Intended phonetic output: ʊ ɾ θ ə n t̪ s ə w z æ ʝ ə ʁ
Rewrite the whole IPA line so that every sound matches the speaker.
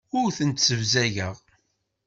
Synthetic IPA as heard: ʊ ɾ θ ə n t̪ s ə v z æ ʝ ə ʁ